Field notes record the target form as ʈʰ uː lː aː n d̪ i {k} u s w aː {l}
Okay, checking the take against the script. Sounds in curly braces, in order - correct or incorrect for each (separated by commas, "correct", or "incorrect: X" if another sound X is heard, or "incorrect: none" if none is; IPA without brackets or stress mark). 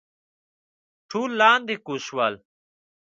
correct, correct